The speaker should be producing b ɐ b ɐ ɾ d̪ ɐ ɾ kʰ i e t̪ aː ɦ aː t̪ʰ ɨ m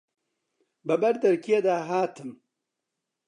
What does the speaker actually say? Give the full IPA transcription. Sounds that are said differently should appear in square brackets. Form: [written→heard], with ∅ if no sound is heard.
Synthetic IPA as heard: b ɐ b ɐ ɾ d̪ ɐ ɾ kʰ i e [t̪→d̪] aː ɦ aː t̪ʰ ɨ m